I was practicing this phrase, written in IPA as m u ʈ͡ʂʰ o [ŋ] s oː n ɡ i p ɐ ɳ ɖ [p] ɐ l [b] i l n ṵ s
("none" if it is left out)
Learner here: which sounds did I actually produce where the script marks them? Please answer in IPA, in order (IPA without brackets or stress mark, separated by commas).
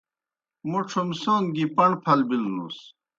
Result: m, pʰ, b